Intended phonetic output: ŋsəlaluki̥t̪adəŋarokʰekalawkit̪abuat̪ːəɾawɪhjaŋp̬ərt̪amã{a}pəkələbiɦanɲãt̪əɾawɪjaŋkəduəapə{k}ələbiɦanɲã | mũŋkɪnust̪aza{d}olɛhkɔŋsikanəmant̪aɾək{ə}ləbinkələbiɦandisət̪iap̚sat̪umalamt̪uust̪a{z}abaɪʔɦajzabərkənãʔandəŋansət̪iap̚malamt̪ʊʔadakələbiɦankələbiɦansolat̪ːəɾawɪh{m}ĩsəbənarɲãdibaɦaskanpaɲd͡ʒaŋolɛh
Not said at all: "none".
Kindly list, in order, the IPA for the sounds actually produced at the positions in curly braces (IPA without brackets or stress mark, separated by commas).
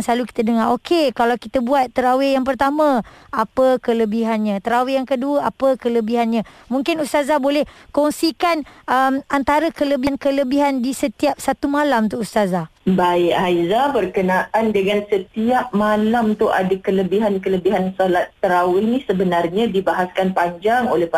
a, k, b, ə, z, n